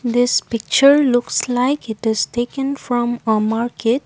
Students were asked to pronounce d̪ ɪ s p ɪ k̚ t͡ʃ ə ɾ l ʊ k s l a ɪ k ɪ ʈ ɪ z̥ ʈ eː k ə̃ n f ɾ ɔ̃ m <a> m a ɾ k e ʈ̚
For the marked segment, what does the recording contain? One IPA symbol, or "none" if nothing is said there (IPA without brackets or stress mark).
ə